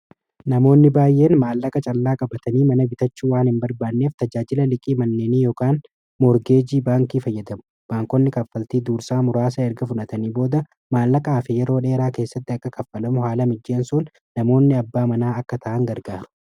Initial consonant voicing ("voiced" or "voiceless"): voiced